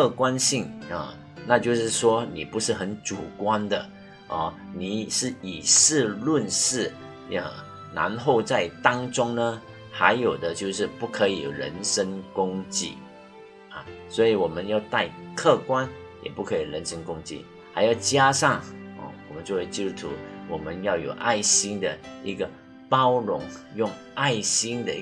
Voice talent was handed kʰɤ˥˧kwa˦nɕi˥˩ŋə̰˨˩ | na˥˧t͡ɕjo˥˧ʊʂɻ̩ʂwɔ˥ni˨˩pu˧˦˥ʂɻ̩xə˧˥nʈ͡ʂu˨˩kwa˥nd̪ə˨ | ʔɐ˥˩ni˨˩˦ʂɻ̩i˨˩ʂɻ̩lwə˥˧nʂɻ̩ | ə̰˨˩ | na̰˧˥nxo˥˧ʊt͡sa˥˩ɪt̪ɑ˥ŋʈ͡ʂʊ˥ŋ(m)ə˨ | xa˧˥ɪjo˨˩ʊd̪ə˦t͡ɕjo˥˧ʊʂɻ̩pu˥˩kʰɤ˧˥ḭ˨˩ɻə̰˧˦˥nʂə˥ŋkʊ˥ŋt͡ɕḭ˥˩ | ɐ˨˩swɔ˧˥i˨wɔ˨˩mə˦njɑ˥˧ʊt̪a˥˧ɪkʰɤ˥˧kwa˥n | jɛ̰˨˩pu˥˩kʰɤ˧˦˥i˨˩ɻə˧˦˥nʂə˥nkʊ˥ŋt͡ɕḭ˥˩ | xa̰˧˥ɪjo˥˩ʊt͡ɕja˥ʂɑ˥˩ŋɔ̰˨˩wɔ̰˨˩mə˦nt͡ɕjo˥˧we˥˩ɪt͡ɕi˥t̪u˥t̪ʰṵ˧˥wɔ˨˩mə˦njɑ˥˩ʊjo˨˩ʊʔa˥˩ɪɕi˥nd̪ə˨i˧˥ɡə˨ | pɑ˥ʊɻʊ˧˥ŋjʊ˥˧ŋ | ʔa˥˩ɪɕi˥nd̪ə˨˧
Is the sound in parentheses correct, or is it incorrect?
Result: incorrect